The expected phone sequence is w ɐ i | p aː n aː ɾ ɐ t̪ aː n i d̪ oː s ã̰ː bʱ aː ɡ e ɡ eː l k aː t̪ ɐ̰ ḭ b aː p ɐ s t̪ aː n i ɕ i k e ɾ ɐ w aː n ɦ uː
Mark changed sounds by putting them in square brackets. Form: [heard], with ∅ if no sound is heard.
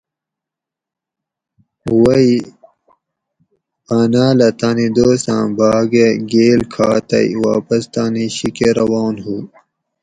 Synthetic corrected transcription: w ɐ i | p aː n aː [l] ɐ t̪ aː n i d̪ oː s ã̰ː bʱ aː ɡ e ɡ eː l [kʰ] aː t̪ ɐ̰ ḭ [w] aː p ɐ s t̪ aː n i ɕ i k e ɾ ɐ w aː n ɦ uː

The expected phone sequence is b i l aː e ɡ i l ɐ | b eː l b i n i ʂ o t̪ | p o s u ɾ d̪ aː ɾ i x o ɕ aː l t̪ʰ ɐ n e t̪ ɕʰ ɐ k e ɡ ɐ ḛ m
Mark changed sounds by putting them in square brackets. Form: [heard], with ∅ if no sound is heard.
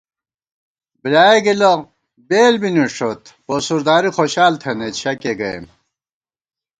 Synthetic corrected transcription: b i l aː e ɡ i l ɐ | b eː l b i n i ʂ o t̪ | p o s u ɾ d̪ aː ɾ i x o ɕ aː l t̪ʰ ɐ n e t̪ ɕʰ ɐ k e ɡ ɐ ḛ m

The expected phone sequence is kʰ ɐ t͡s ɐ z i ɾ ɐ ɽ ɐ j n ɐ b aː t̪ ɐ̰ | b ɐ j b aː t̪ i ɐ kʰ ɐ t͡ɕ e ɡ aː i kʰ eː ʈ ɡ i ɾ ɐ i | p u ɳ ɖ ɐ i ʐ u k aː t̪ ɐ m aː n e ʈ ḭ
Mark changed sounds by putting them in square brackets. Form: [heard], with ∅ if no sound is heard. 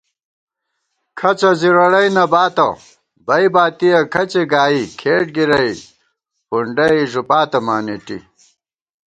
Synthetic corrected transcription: kʰ ɐ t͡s ɐ z i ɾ ɐ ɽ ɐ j n ɐ b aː t̪ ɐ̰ | b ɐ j b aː t̪ i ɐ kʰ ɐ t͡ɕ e ɡ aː i kʰ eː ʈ ɡ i ɾ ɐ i | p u ɳ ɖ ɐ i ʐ u [p] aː t̪ ɐ m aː n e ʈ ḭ

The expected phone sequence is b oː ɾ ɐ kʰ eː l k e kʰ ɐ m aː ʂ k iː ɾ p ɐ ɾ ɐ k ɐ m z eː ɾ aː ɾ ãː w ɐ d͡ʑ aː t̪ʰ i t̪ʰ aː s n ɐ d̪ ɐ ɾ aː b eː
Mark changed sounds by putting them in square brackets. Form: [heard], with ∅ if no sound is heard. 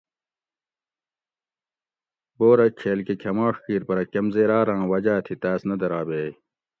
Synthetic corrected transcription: b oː ɾ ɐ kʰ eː l k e kʰ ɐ m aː ʂ k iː ɾ p ɐ ɾ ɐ k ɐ m z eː ɾ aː ɾ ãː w ɐ d͡ʑ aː t̪ʰ i [t̪] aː s n ɐ d̪ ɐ ɾ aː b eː

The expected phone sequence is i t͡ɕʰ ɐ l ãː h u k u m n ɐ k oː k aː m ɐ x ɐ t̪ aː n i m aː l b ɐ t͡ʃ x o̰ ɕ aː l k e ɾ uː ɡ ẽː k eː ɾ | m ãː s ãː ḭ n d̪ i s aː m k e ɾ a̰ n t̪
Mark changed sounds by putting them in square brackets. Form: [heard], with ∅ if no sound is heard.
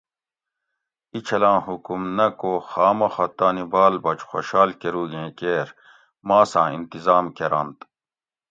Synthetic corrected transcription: i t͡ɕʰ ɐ l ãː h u k u m n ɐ k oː [x] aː m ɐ x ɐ t̪ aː n i [b] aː l b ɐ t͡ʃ x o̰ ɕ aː l k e ɾ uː ɡ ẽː k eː ɾ | m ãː s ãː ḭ n [t̪] i [z] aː m k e ɾ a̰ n t̪

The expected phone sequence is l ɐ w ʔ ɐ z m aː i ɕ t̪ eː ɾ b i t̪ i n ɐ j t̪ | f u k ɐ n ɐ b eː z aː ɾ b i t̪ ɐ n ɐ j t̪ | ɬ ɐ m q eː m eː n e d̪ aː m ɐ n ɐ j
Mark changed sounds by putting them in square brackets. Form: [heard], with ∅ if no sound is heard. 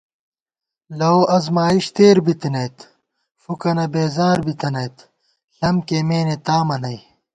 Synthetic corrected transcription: l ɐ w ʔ ɐ z m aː i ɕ t̪ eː ɾ b i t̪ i n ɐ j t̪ | f u k ɐ n ɐ b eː z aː ɾ b i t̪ ɐ n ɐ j t̪ | ɬ ɐ m [k] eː m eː n e [t̪] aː m ɐ n ɐ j

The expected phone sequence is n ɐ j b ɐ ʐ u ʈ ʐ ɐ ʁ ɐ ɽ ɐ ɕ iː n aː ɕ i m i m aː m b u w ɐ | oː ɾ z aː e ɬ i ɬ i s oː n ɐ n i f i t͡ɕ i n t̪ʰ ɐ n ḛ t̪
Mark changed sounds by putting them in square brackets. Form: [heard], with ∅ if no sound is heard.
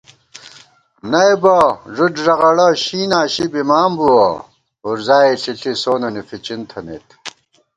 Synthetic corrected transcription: n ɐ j b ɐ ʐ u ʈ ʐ ɐ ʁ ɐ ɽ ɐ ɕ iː n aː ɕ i [b] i m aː m b u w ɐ | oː ɾ z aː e ɬ i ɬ i s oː n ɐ n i f i t͡ɕ i n t̪ʰ ɐ n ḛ t̪

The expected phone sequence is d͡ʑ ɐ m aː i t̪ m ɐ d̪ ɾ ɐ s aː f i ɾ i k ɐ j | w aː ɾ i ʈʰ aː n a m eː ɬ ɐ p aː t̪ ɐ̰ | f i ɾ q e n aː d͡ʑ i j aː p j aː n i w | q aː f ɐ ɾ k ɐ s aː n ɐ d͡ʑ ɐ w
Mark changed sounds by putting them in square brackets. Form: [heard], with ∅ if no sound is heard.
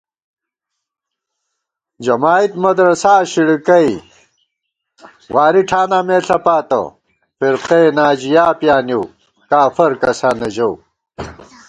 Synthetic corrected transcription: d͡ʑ ɐ m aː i t̪ m ɐ d̪ ɾ ɐ s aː [ɕ] i [ɽ] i k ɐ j | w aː ɾ i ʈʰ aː n a m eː ɬ ɐ p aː t̪ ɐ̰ | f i ɾ q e n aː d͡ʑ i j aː p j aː n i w | [k] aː f ɐ ɾ k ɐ s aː n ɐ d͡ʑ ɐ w

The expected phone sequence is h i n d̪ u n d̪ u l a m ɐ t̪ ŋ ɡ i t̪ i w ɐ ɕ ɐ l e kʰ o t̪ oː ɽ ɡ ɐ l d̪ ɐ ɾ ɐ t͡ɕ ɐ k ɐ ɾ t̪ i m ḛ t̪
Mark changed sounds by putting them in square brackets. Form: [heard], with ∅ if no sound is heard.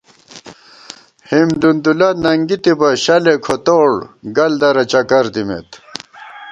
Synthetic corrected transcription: h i [m] d̪ u n d̪ u l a [n] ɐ [∅] ŋ ɡ i t̪ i [b] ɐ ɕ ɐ l e kʰ o t̪ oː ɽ ɡ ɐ l d̪ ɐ ɾ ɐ t͡ɕ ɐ k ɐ ɾ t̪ i m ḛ t̪

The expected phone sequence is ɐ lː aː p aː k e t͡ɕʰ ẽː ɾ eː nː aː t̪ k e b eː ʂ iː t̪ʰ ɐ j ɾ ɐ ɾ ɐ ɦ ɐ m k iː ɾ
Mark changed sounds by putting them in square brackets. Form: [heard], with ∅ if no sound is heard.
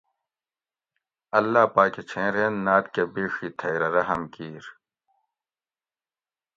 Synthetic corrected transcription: ɐ lː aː p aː k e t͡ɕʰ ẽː ɾ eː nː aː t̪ k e b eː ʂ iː t̪ʰ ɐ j ɾ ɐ ɾ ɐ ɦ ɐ m k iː ɾ

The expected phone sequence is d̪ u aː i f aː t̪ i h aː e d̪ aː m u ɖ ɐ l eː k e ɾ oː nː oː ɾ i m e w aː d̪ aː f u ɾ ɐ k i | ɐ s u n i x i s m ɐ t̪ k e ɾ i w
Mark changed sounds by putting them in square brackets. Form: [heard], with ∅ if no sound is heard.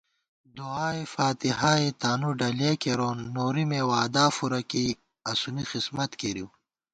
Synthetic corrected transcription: d̪ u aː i f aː t̪ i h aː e [t̪] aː [n] u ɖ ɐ l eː k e ɾ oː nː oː ɾ i m e w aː d̪ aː f u ɾ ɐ k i | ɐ s u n i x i s m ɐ t̪ k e ɾ i w

